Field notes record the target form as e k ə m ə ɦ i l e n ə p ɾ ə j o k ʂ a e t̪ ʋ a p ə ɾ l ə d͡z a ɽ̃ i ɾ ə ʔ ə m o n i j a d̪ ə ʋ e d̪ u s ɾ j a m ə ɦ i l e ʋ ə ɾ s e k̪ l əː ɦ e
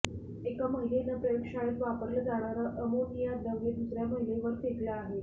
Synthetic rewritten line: e k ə m ə ɦ i l e n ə p ɾ ə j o k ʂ a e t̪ ʋ a p ə ɾ l ə d͡z a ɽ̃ a ɾ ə ʔ ə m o n i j a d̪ ə ʋ e d̪ u s ɾ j a m ə ɦ i l e ʋ ə ɾ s e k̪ l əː ɦ e